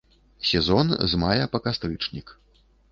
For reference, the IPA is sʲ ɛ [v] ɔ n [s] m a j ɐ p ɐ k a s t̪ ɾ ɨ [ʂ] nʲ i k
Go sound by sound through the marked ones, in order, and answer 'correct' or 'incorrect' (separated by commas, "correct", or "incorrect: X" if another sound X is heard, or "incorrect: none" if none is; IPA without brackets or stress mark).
incorrect: z, incorrect: z, incorrect: t͡ʂ